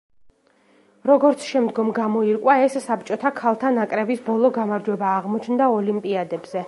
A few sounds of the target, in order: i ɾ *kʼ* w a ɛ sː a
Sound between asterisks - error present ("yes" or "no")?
no